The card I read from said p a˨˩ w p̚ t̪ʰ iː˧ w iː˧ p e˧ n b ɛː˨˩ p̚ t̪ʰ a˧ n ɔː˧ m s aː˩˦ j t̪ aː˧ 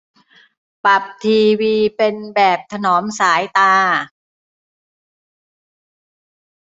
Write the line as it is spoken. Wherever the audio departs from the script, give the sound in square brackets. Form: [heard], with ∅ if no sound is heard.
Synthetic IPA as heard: p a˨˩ [∅] p̚ t̪ʰ iː˧ w iː˧ p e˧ n b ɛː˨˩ p̚ t̪ʰ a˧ n [ɔː˩˦] m s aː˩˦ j t̪ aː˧